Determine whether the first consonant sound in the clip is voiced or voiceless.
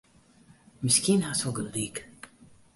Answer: voiced